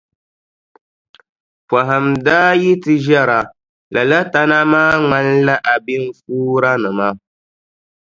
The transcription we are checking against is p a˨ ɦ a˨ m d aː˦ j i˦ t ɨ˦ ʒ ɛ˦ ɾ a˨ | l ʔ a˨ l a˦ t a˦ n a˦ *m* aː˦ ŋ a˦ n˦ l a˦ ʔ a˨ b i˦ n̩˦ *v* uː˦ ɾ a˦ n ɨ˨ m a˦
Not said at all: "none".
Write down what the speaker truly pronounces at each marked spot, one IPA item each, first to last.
m, f

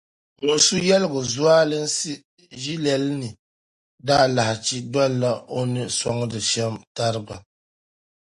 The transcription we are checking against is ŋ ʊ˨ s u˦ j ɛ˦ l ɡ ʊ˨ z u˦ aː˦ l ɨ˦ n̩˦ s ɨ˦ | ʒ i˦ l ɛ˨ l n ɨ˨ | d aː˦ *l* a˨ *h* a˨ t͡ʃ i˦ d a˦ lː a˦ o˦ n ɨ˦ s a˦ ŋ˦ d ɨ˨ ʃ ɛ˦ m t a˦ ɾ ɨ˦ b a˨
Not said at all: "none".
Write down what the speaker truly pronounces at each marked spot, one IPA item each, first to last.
l, h

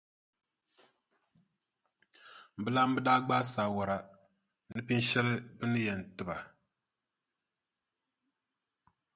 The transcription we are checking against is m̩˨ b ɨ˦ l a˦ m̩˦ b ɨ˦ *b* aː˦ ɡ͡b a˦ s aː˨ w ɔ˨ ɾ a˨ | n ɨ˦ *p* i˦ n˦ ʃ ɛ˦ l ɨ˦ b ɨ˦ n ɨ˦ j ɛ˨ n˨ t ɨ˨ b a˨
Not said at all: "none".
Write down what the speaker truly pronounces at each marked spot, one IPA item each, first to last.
d, p

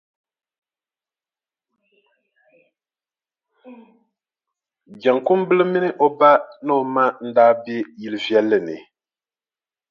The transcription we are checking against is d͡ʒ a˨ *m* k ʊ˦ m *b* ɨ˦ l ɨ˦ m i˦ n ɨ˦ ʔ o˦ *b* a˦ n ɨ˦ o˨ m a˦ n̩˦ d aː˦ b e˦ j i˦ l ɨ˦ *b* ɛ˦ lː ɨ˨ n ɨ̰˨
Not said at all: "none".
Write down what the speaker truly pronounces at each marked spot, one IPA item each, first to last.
ŋ, b, b, v

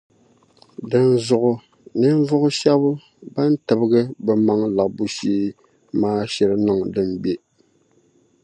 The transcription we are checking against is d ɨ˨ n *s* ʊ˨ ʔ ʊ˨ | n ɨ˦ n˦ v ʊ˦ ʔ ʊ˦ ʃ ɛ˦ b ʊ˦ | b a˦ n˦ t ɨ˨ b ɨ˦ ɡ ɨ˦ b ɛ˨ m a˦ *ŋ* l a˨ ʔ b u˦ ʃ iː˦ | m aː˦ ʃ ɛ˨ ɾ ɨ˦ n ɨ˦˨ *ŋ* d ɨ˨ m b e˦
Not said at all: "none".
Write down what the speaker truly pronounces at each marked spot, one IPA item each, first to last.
z, ŋ, ŋ

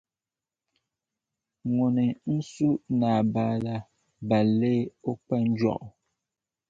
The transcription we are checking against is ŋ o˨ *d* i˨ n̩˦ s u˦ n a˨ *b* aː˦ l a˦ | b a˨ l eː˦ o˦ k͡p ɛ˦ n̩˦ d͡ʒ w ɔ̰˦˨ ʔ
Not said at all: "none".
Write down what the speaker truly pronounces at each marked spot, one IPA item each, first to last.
n, b

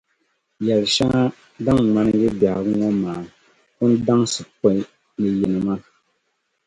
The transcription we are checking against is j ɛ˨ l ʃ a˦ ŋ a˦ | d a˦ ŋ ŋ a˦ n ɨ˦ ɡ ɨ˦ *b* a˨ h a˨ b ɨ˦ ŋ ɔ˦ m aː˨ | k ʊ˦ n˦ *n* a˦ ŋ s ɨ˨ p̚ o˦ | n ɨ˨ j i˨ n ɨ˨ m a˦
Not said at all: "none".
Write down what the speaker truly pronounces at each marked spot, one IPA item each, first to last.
b, d

